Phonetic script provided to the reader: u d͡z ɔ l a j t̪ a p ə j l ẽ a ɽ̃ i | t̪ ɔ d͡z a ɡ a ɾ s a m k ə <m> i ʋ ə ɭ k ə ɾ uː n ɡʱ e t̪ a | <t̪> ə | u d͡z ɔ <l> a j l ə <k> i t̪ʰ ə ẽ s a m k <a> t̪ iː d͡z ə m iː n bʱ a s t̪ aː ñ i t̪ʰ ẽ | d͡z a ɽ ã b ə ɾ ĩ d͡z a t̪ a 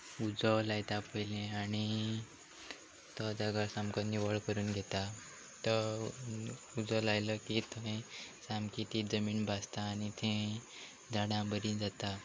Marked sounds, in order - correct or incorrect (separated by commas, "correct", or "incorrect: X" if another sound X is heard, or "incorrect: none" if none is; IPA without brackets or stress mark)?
incorrect: n, correct, correct, correct, incorrect: i